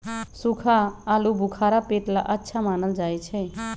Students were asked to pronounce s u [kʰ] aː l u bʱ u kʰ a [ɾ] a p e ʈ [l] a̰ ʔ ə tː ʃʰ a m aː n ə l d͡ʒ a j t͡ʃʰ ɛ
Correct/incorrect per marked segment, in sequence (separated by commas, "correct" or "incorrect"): correct, correct, correct